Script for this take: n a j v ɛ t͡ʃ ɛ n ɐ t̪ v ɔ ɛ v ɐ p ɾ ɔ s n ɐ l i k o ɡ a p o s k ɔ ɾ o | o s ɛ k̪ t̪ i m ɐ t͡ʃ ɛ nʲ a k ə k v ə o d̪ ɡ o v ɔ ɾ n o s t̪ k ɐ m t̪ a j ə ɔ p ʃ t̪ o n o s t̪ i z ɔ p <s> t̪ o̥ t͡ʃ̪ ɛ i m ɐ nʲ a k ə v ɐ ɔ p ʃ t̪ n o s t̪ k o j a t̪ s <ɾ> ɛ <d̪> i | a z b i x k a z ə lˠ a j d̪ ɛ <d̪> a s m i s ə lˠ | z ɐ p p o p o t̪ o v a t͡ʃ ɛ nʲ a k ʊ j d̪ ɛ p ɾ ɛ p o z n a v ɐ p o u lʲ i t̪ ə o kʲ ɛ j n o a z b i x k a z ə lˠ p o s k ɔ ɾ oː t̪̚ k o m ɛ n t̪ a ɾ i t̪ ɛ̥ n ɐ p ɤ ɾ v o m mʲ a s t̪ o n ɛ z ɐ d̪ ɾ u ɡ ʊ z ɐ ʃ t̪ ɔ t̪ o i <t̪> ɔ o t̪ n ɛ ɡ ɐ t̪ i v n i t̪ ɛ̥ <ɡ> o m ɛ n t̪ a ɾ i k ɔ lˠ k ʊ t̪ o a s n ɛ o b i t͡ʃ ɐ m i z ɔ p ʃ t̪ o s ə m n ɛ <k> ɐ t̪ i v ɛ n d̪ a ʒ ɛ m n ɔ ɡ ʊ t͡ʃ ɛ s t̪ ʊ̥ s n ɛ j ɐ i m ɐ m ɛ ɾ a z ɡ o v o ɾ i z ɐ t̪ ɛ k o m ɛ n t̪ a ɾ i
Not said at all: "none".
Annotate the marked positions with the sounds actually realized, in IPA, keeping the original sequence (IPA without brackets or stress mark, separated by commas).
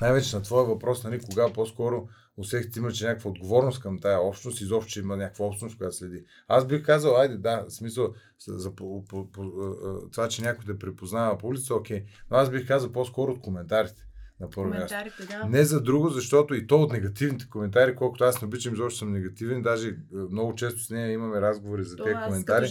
ʃ, l, d̪, d̪, t̪, k, ɡ